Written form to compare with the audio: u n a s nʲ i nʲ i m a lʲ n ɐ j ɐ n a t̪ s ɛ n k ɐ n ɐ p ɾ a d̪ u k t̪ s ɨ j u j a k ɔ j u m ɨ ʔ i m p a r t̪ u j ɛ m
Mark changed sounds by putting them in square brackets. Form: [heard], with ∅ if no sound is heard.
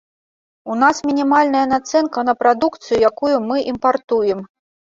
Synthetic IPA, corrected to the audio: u n a s [mʲ] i nʲ i m a lʲ n ɐ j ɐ n a t̪ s ɛ n k ɐ n ɐ p ɾ a d̪ u k t̪ s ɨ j u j a k [u] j u m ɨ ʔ i m p a r t̪ u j ɛ m